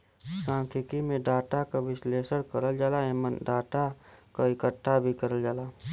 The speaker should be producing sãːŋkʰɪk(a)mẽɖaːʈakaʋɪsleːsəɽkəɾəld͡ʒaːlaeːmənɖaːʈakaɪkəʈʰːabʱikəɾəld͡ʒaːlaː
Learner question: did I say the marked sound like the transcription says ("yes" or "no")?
no